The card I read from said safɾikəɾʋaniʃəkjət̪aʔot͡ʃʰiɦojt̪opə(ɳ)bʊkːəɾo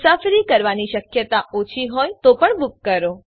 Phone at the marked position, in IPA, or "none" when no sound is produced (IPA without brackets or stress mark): ɳ